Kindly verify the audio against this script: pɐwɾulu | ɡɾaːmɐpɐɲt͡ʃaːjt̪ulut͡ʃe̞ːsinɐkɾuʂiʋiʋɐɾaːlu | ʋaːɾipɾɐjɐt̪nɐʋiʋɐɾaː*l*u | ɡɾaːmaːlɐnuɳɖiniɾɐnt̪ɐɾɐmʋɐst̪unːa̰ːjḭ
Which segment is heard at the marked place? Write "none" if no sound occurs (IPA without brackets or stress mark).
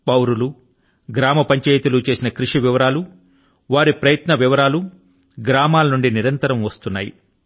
l